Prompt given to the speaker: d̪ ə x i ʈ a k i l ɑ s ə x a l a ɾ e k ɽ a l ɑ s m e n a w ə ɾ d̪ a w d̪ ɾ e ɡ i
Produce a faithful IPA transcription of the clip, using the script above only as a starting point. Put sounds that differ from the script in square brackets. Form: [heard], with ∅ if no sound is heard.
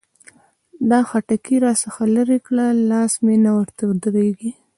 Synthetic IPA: d̪ [ɑ] x [a] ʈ a k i [ɾ] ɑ s ə x a l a ɾ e k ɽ a l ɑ s m e n a w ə ɾ [t̪] a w d̪ ɾ e ɡ i